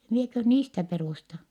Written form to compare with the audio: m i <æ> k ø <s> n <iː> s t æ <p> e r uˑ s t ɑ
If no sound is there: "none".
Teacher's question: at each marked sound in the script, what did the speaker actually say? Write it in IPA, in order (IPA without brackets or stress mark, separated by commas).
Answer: e, h, iː, p